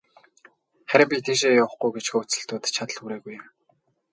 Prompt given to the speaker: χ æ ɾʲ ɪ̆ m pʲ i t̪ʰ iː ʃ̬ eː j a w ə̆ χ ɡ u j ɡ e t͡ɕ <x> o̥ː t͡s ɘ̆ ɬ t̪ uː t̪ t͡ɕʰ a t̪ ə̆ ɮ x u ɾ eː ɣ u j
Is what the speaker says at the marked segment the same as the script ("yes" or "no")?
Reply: yes